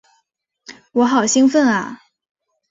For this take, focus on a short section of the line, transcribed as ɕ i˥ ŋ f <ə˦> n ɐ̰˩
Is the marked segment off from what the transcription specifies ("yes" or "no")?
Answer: yes